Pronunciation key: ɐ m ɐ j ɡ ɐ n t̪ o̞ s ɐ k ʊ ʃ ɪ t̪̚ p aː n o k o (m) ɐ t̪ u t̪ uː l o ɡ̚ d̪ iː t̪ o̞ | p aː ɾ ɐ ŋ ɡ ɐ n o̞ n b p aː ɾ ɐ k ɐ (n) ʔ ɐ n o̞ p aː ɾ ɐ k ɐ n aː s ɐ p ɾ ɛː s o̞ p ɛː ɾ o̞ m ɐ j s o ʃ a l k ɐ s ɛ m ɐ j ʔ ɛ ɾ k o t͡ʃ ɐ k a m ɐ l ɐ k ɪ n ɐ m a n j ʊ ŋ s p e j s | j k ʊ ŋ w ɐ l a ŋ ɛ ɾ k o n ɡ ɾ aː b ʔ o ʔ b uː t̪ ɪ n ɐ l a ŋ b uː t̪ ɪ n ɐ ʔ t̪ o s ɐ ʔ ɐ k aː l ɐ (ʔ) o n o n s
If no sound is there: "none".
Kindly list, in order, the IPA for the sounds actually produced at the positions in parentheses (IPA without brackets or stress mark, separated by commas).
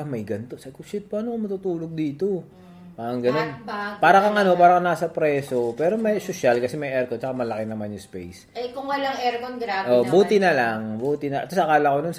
m, ŋ, k